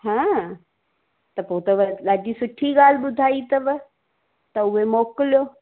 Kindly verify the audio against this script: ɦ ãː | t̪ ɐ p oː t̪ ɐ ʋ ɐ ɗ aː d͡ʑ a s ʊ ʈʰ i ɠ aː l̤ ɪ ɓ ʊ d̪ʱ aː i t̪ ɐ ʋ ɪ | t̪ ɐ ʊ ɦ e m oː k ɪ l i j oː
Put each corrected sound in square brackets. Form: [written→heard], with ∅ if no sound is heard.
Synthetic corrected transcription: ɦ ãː | t̪ ɐ p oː t̪ ɐ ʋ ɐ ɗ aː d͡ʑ [a→i] s ʊ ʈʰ i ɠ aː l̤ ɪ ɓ ʊ d̪ʱ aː i t̪ ɐ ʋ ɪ | t̪ ɐ ʊ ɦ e m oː k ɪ l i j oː